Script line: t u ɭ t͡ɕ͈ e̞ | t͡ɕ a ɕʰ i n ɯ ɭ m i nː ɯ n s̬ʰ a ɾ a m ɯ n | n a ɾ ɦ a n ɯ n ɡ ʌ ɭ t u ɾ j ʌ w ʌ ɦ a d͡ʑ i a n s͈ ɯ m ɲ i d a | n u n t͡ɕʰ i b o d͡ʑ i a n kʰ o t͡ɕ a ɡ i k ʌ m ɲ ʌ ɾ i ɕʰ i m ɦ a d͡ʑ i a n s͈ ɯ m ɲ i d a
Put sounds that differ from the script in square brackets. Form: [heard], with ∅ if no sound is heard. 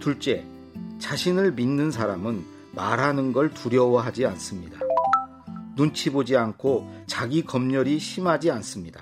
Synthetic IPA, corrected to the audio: t u ɭ t͡ɕ͈ e̞ | t͡ɕ a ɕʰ i n ɯ ɭ m i nː ɯ n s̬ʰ a ɾ a m ɯ n | [m] a ɾ ɦ a n ɯ n ɡ ʌ ɭ t u ɾ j ʌ w ʌ ɦ a d͡ʑ i a n s͈ ɯ m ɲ i d a | n u n t͡ɕʰ i b o d͡ʑ i a n kʰ o t͡ɕ a ɡ i k ʌ m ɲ ʌ ɾ i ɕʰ i m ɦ a d͡ʑ i a n s͈ ɯ m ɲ i d a